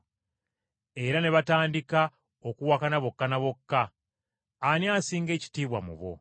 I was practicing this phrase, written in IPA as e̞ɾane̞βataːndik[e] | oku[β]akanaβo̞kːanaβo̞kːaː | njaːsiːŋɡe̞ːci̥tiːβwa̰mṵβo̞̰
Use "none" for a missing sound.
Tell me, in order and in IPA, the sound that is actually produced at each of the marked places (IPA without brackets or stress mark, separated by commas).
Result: a, w